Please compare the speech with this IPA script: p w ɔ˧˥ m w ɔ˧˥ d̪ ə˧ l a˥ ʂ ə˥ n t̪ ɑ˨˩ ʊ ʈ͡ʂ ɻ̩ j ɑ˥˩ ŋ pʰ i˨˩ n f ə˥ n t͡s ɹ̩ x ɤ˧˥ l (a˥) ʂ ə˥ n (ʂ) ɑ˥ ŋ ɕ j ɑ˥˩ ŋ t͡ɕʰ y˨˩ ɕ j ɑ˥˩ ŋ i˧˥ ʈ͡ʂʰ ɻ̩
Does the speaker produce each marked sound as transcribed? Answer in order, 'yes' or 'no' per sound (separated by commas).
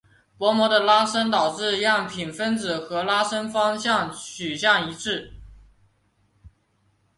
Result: yes, no